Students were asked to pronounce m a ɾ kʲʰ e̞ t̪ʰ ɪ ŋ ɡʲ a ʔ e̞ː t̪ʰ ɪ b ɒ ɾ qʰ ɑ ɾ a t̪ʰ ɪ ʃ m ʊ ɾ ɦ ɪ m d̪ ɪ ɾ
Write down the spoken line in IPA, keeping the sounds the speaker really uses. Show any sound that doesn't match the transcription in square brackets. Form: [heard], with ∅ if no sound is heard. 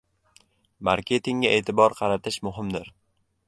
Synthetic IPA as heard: m a ɾ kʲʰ e̞ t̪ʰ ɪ ŋ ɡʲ a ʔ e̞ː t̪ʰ ɪ b ɒ ɾ qʰ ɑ ɾ a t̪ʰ ɪ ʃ m ʊ [∅] ɦ ɪ m d̪ ɪ ɾ

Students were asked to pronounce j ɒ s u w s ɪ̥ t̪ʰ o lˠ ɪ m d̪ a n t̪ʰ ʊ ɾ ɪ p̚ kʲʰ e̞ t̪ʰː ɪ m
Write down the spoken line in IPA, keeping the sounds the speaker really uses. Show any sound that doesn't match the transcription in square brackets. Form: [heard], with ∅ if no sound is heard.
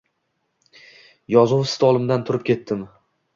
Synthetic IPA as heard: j ɒ [z] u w s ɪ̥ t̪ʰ [ɒ] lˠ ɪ m d̪ a n t̪ʰ ʊ ɾ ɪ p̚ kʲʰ e̞ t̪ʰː ɪ m

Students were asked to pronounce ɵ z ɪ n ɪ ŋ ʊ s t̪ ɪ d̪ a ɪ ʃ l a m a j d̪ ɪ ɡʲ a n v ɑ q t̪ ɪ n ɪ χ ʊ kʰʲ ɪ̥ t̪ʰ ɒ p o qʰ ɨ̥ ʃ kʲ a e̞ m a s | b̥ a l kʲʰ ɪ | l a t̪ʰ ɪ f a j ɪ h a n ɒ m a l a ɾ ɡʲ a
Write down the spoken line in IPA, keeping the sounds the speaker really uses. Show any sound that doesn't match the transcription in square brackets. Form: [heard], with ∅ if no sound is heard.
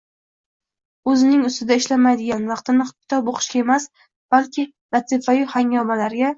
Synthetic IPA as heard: ɵ z ɪ n ɪ ŋ ʊ s t̪ ɪ d̪ a ɪ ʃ l a m a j d̪ ɪ ɡʲ a n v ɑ q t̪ ɪ n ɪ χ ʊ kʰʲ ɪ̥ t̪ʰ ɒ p o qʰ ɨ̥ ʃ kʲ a e̞ m a s | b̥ a l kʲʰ ɪ | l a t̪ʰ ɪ f a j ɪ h a [ŋ] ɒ m a l a ɾ ɡʲ a

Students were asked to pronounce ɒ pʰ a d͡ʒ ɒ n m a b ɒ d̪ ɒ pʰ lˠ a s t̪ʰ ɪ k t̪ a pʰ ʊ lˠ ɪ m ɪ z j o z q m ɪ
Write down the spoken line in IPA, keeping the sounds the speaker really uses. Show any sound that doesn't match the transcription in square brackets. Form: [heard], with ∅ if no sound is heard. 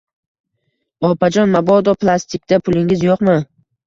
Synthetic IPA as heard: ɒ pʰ a d͡ʒ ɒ n m a b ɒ d̪ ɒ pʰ lˠ a s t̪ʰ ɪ k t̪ a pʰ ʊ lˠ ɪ [ŋ] ɪ z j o [∅] q m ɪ

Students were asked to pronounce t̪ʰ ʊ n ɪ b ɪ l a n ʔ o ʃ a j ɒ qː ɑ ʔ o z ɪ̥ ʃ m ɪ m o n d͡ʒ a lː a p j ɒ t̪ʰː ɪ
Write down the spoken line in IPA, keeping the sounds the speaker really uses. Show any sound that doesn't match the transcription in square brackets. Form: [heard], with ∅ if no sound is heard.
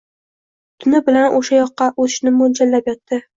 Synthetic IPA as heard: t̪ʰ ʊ n ɪ b ɪ l a n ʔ o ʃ a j ɒ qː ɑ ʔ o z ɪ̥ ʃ [n] ɪ m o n d͡ʒ a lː a p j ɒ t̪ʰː ɪ

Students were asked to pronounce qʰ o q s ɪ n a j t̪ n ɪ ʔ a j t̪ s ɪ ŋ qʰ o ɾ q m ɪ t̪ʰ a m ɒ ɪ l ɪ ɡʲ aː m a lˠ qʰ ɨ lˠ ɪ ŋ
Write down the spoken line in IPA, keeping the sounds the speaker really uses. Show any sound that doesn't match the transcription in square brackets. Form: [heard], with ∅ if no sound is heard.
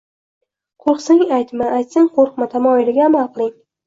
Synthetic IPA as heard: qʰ o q s ɪ [ŋ] a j t̪ [m] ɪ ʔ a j t̪ s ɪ ŋ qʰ o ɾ q m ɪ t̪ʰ a m ɒ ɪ l ɪ ɡʲ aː m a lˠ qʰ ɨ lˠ ɪ ŋ

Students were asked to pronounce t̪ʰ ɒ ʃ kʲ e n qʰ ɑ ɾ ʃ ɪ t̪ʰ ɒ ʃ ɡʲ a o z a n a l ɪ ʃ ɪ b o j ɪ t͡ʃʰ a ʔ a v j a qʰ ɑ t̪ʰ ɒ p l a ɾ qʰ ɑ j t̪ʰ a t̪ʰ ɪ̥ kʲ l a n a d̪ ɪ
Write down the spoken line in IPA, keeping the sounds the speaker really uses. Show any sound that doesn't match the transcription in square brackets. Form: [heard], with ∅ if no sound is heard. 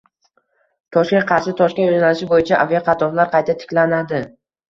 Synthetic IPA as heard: t̪ʰ ɒ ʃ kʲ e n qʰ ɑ ɾ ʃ ɪ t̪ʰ ɒ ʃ [kʲ] a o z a n a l ɪ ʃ ɪ b o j ɪ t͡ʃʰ a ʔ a v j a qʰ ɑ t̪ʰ ɒ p l a ɾ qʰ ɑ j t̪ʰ a t̪ʰ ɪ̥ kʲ l a n a d̪ ɪ

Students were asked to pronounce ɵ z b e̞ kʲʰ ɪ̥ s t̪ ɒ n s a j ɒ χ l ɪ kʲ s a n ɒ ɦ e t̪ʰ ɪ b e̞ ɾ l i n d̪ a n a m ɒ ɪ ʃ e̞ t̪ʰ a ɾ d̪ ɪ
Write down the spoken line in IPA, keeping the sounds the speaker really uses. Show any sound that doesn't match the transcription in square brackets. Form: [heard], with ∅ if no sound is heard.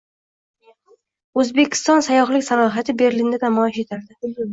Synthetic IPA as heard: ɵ z b e̞ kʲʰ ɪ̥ s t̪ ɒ n s a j ɒ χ l ɪ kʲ s a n ɒ ɦ [a] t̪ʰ ɪ b e̞ ɾ l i n d̪ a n a m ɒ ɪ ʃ e̞ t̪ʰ a ɾ d̪ ɪ

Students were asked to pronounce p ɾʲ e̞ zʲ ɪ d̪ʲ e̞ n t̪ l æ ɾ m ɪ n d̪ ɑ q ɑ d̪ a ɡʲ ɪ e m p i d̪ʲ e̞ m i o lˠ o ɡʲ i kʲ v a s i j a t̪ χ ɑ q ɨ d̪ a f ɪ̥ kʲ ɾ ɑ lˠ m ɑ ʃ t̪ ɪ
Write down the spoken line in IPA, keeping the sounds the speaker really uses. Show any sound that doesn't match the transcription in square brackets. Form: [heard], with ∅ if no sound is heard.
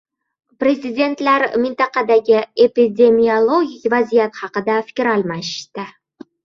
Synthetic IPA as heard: p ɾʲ e̞ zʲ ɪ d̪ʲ e̞ n t̪ l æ ɾ m ɪ n [t̪] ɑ q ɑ d̪ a ɡʲ ɪ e [∅] p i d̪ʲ e̞ m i o lˠ o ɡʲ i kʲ v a [z] i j a t̪ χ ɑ q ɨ d̪ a f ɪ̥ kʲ ɾ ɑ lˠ m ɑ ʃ t̪ ɪ

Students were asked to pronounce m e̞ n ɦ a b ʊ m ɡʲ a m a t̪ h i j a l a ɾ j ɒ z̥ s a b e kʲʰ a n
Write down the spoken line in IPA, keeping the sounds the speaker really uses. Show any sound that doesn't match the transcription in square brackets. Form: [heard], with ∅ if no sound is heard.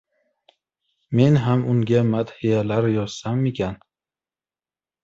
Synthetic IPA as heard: m e̞ n ɦ a [m] ʊ [ŋ] ɡʲ a m a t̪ h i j a l a ɾ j ɒ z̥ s a [m] e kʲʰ a n

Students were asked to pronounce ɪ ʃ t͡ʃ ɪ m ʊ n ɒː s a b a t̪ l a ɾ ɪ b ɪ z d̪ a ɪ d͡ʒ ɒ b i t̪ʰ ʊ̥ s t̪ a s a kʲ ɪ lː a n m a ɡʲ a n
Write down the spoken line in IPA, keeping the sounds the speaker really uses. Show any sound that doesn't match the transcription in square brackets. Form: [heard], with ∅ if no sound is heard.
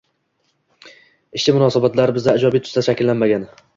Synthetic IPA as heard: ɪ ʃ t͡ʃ ɪ m ʊ n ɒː s a b a t̪ l a ɾ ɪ b ɪ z d̪ a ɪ d͡ʒ ɒ b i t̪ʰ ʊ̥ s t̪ a [ʃ] a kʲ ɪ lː a n m a ɡʲ a n

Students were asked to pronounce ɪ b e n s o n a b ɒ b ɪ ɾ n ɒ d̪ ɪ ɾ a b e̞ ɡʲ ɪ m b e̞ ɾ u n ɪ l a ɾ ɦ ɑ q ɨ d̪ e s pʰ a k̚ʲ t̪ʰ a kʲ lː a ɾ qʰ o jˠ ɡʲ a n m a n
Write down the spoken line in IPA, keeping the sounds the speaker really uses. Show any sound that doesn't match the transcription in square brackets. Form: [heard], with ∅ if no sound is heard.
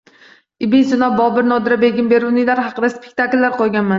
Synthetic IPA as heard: ɪ b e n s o n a b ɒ b ɪ ɾ n ɒ d̪ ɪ ɾ a b e̞ ɡʲ ɪ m b e̞ ɾ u n ɪ l a ɾ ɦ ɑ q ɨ d̪ [a] s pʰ [e] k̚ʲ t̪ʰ a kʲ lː a ɾ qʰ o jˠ ɡʲ a n m a n

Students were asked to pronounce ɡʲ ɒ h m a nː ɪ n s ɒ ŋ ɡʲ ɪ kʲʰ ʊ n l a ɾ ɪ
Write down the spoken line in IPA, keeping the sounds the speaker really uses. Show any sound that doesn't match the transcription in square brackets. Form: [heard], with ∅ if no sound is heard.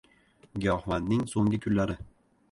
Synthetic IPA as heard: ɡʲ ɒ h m a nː ɪ [ŋ] s [o] ŋ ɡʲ ɪ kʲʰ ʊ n l a ɾ ɪ

